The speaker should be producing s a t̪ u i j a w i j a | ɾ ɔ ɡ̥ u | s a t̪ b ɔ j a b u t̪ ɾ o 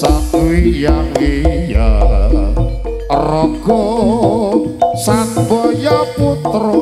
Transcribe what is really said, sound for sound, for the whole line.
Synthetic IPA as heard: s a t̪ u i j a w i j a | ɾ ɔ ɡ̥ ɔ | s a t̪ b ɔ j a p u t̪ ɾ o